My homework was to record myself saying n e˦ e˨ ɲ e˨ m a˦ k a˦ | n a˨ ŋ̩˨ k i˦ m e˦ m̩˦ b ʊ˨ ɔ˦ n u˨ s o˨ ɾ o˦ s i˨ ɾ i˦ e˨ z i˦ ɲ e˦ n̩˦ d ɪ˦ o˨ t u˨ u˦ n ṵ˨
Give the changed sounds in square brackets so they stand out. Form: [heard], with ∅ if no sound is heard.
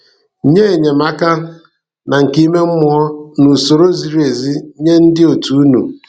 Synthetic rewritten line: [ɲ] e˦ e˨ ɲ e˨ m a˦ k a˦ | n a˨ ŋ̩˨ k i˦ m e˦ m̩˦ [m] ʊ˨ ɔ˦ n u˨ s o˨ ɾ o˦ [z] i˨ ɾ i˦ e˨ z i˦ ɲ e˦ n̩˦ d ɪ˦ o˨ t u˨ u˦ n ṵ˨